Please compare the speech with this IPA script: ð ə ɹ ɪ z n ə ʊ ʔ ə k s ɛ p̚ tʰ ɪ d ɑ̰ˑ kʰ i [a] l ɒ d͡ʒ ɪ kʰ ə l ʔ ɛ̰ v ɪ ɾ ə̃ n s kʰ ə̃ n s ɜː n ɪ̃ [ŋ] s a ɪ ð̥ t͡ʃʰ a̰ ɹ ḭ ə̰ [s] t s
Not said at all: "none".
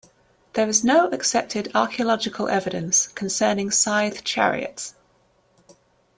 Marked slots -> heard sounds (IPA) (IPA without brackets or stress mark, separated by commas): ə, ŋ, none